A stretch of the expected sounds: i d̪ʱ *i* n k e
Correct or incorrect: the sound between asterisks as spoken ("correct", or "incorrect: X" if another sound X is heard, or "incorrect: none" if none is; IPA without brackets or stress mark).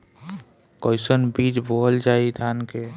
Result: incorrect: a